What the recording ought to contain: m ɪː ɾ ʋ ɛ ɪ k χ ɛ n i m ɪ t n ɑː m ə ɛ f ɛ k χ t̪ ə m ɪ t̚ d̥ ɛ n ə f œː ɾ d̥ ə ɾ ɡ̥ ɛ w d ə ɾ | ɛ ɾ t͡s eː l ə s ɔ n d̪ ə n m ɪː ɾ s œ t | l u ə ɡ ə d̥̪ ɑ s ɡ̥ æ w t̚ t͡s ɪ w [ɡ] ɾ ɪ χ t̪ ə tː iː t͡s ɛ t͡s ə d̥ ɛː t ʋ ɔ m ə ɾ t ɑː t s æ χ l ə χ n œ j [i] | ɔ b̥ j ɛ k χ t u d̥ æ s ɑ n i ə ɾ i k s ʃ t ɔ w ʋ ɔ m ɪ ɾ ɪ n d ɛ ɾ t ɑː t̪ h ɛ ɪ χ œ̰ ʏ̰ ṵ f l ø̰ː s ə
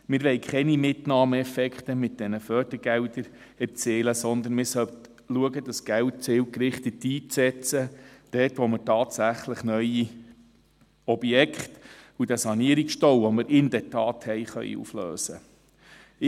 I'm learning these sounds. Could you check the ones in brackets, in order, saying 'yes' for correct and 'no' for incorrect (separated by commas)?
no, yes